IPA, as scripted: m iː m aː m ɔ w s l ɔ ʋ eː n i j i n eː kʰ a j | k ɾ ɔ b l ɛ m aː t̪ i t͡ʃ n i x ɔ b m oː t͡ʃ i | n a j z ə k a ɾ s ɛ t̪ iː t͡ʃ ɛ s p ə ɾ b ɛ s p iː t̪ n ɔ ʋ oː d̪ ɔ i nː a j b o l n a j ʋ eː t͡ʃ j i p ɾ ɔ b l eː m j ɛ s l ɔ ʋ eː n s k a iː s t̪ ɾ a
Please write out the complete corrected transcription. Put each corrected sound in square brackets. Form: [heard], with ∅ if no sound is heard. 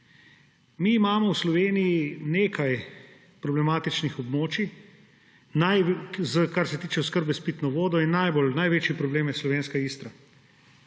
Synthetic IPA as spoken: m iː m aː m ɔ w s l ɔ ʋ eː n i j i n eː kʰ a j | [p] ɾ ɔ b l ɛ m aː t̪ i t͡ʃ n i x ɔ b m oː t͡ʃ i | n a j z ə k a ɾ s ɛ t̪ iː t͡ʃ ɛ s [k] ə ɾ b ɛ s p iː t̪ n ɔ ʋ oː d̪ ɔ i nː a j b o l n a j ʋ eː t͡ʃ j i p ɾ ɔ b l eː m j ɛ s l ɔ ʋ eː n s k a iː s t̪ ɾ a